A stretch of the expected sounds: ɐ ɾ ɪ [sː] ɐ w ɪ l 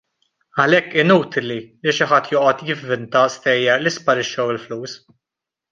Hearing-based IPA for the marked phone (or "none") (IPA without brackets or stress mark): ʃː